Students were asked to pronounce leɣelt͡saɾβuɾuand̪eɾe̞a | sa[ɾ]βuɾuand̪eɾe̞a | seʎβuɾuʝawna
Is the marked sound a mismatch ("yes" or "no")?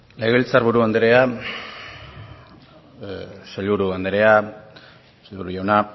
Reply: yes